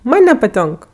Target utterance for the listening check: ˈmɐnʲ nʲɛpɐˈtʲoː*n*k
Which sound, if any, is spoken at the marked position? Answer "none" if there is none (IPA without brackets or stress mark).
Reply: ŋ